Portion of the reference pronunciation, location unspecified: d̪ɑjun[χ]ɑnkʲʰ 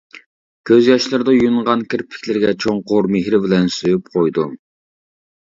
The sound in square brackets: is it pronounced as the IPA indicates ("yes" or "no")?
no